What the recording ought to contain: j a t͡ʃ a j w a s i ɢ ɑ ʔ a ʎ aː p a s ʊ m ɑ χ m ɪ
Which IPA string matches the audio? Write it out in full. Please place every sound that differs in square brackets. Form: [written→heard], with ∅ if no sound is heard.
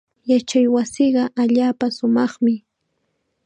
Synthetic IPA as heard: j a t͡ʃ a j w a s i ɢ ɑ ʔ a ʎ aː p a s ʊ m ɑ χ m ɪ